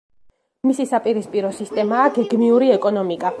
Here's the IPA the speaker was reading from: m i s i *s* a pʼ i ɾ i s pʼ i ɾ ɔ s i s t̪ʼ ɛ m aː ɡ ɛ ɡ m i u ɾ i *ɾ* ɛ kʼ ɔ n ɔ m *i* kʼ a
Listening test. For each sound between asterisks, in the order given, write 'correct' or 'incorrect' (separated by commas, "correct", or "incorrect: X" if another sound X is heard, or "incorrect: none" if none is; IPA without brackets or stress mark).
correct, incorrect: none, correct